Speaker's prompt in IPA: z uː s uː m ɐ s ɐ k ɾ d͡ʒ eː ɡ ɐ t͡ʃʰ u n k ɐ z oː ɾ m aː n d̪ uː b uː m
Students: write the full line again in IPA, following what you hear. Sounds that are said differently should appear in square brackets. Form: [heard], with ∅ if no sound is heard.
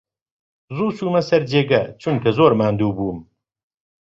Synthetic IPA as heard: z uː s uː m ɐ s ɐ [∅] ɾ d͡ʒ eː ɡ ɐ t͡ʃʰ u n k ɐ z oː ɾ m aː n d̪ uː b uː m